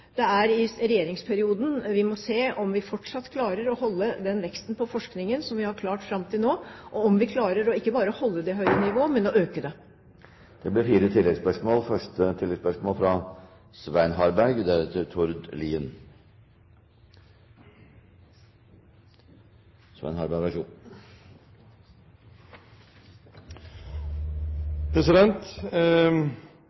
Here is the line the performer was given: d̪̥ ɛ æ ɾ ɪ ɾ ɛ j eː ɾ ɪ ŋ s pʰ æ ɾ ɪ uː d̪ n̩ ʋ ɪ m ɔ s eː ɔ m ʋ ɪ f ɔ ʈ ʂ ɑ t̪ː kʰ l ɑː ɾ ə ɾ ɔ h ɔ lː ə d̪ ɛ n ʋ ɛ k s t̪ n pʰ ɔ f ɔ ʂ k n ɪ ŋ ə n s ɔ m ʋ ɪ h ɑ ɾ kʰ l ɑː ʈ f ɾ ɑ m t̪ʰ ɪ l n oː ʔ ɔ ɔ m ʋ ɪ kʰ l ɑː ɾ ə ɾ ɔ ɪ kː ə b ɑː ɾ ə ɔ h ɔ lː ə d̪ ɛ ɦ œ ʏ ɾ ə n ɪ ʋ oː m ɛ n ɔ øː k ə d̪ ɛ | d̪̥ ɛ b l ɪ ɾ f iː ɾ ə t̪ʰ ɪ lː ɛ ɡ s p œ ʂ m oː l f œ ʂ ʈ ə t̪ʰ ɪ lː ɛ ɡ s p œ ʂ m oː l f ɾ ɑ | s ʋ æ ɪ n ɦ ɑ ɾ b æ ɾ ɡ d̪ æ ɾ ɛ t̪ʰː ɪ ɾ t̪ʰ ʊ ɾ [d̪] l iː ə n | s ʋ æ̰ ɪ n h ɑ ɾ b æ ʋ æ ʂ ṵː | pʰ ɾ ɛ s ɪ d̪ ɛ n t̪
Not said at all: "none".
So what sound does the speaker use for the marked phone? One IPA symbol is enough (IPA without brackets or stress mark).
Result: d̪